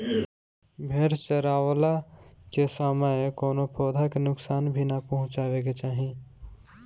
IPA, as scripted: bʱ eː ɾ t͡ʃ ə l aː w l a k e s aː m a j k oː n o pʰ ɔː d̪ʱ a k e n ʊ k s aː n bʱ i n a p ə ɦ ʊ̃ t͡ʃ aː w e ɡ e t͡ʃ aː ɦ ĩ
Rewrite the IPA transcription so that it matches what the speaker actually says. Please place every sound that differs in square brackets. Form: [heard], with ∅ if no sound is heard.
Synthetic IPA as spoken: bʱ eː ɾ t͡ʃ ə [ɾ] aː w l a k e s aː m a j k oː n o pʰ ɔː d̪ʱ a k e n ʊ k s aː n bʱ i n a p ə ɦ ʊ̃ t͡ʃ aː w e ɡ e t͡ʃ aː ɦ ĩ